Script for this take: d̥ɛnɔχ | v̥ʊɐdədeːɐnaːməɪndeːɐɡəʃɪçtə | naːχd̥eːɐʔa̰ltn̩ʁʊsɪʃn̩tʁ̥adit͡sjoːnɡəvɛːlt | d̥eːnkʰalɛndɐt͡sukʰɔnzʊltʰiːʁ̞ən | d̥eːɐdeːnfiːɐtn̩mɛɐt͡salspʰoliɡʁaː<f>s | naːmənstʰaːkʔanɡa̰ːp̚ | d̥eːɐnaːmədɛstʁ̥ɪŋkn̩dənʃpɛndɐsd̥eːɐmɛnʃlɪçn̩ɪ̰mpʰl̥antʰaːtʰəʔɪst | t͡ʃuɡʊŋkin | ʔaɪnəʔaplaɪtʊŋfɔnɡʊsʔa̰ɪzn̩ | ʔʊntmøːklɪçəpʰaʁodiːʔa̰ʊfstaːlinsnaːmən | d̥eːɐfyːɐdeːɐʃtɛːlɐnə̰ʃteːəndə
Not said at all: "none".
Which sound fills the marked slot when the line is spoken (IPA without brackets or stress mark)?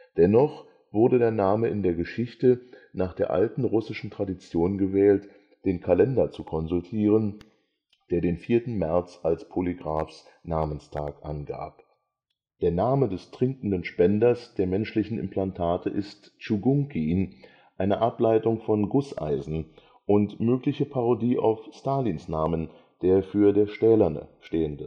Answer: f